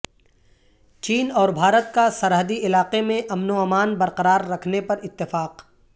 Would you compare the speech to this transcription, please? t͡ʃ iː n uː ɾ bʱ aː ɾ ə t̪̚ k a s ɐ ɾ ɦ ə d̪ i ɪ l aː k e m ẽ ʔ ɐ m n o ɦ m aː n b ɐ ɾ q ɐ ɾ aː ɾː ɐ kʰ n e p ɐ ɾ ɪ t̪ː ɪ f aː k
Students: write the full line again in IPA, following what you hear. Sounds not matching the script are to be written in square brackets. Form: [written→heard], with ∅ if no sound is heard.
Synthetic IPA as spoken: t͡ʃ iː n [uː→ɔː] ɾ bʱ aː ɾ ə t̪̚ k a s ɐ ɾ ɦ ə d̪ i ɪ l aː [k→q] e m ẽ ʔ ɐ m n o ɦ m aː n b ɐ ɾ q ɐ ɾ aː ɾː ɐ kʰ n e p ɐ ɾ ɪ t̪ː ɪ f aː [k→q]